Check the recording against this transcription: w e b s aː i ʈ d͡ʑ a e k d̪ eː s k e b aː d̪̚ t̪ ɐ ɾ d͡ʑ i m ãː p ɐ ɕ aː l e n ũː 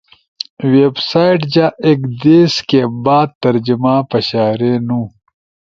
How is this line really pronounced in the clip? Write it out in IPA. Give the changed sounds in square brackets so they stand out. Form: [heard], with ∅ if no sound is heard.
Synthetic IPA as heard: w e b s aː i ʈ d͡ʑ a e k d̪ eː s k e b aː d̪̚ t̪ ɐ ɾ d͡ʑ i m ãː p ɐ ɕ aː [ɾ] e n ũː